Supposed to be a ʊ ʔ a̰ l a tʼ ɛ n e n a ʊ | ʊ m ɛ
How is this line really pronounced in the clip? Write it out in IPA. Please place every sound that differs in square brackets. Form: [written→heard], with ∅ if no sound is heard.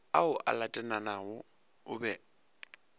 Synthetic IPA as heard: a ʊ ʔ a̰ l a tʼ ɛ n [e→a] n a ʊ | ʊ [m→b] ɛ